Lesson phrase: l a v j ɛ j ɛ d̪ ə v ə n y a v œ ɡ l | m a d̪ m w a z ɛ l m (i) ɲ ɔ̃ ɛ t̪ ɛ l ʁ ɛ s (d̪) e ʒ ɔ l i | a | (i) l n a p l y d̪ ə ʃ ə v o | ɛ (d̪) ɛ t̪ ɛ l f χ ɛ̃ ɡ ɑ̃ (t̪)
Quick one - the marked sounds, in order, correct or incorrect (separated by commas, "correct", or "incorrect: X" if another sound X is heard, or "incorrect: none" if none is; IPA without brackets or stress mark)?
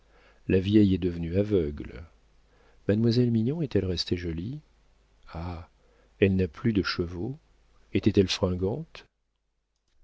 correct, incorrect: t̪, incorrect: ɛ, incorrect: t̪, correct